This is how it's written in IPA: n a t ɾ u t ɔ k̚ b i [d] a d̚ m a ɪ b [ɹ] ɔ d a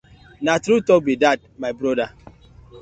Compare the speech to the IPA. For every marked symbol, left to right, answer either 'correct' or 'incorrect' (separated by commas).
correct, incorrect